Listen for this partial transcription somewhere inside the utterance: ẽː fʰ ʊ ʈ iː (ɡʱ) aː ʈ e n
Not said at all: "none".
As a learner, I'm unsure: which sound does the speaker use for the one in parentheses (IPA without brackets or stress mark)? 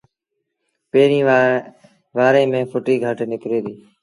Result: ɡʱ